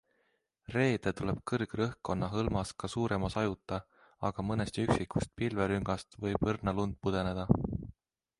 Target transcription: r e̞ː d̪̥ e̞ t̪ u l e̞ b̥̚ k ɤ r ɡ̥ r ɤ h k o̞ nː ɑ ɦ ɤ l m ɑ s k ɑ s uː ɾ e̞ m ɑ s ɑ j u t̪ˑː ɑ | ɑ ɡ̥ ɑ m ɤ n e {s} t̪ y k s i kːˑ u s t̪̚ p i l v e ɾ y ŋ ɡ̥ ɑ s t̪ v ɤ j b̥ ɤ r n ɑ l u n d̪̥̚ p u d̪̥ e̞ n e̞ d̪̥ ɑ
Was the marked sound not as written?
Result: no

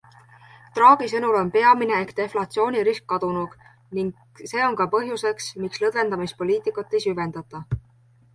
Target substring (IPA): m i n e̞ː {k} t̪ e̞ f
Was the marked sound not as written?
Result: no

